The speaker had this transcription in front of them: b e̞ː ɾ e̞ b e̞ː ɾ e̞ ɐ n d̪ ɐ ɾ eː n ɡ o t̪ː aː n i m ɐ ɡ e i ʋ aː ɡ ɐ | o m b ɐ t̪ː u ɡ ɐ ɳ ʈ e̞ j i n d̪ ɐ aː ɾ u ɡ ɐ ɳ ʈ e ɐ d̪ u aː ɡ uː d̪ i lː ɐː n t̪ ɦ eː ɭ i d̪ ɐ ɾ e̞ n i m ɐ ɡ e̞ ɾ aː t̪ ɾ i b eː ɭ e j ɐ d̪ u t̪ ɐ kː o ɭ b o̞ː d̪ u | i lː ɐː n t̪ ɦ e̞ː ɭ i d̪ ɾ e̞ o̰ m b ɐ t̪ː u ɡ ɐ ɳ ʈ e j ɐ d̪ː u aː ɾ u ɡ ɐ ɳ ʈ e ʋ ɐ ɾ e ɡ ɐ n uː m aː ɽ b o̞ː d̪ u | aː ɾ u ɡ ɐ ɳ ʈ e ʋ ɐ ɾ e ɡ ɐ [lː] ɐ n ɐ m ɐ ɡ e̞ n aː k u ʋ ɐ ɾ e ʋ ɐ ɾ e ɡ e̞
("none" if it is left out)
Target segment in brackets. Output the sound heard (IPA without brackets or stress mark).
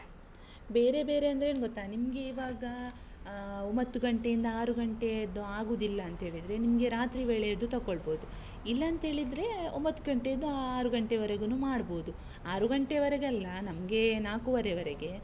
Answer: lː